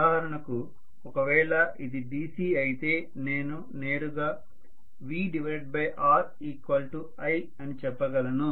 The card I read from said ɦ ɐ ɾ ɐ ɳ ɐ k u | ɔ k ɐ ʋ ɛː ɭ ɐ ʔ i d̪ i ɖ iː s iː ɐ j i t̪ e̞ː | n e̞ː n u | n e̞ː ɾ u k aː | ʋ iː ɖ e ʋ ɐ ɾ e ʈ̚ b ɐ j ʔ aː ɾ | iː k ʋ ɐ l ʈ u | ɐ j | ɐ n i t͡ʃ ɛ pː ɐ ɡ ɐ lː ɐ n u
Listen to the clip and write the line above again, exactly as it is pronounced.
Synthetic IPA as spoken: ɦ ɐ ɾ ɐ ɳ ɐ k u | ɔ k ɐ ʋ ɛː ɭ ɐ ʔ i d̪ i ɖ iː s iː ɐ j i t̪ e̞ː | n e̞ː n u | n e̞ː ɾ u ɡ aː | ʋ iː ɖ i ʋ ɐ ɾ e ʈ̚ b ɐ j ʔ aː ɾ | iː k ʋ ɐ l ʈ u | ɐ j | ɐ n i t͡ʃ ɛ pː ɐ ɡ ɐ l ɐ n u